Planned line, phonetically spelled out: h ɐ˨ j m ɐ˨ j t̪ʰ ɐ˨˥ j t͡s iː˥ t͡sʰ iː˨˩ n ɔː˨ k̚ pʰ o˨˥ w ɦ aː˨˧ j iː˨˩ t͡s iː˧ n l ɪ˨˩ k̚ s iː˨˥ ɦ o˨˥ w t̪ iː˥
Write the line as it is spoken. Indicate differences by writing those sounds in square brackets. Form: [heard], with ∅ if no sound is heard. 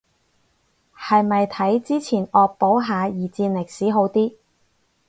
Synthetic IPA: h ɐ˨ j m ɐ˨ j t̪ʰ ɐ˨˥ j t͡s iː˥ t͡sʰ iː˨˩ n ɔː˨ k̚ [p] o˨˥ w ɦ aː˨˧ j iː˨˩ t͡s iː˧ n l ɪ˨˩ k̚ s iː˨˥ ɦ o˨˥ w t̪ iː˥

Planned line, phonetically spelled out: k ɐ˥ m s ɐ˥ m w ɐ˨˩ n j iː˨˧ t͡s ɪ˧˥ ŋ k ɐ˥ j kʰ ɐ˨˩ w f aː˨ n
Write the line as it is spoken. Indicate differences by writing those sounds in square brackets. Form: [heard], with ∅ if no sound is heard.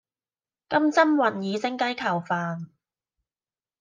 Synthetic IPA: k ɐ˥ m [t͡s] ɐ˥ m w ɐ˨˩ n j iː˨˧ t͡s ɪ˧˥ ŋ k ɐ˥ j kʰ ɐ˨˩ w f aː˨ n

